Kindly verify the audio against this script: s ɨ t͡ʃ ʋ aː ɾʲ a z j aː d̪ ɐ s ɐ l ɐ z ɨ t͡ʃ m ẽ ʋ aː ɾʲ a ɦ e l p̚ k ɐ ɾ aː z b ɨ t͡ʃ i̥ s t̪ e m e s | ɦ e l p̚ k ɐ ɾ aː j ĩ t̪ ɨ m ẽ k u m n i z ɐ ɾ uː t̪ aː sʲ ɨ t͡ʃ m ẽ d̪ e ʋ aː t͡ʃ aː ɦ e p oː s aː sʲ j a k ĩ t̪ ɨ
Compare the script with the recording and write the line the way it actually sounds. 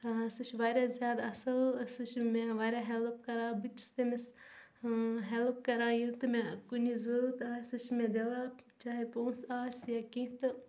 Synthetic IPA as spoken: s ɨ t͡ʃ ʋ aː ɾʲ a z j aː d̪ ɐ s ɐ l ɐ s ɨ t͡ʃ m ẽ ʋ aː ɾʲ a ɦ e l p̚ k ɐ ɾ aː b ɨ t͡ʃ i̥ s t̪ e m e s | ɦ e l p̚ k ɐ ɾ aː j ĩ t̪ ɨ m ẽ k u n i z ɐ ɾ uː t̪ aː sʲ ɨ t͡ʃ m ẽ d̪ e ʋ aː t͡ʃ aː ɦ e p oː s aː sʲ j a k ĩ t̪ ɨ